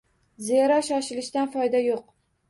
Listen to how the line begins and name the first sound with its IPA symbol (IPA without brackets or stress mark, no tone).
z